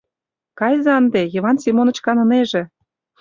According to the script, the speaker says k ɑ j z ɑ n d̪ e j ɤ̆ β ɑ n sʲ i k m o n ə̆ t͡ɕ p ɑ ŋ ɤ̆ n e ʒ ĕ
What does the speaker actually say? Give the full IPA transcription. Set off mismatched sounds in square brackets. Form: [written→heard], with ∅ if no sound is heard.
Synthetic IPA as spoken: k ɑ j z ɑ n d̪ e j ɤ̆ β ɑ n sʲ i [k→∅] m o n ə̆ t͡ɕ [p→k] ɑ [ŋ→n] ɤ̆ n e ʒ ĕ